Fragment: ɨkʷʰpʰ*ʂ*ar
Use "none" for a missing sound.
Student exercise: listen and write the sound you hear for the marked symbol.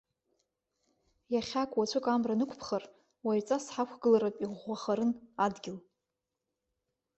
χ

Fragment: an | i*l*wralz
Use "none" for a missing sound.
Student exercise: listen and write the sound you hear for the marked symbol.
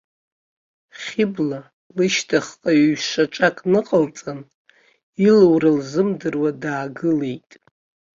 l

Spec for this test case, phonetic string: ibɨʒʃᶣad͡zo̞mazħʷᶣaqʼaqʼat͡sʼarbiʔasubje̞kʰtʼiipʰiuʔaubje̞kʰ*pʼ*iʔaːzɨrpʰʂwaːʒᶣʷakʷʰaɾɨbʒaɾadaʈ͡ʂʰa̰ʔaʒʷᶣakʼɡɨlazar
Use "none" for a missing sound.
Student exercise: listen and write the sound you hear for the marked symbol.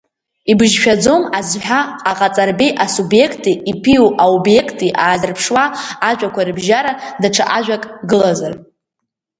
tʼ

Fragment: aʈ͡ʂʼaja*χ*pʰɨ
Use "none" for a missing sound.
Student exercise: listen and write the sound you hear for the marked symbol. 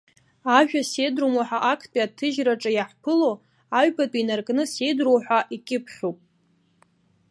ħ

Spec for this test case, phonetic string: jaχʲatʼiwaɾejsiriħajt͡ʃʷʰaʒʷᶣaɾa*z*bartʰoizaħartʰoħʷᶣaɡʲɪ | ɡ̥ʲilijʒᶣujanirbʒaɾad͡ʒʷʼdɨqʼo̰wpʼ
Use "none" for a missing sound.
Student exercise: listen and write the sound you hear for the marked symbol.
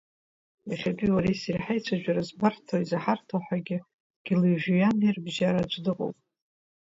z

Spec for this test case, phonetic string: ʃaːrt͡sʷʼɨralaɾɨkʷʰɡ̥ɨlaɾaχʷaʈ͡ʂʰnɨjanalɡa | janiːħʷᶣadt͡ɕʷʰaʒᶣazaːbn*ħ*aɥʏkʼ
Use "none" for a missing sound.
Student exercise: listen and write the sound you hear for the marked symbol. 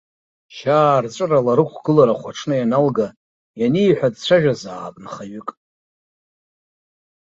χ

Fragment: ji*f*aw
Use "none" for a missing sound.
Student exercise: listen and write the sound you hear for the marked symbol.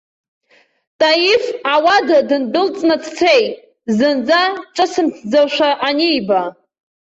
f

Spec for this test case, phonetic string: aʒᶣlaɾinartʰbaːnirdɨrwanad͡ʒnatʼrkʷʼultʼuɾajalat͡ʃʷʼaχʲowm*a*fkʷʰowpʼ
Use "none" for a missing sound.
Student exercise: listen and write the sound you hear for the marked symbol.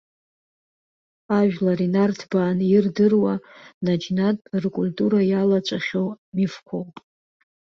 i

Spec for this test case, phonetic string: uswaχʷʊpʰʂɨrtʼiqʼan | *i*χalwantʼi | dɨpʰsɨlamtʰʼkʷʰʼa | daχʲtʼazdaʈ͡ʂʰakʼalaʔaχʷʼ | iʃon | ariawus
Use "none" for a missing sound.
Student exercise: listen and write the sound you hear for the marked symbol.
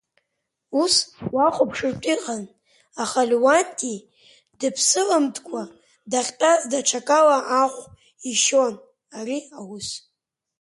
a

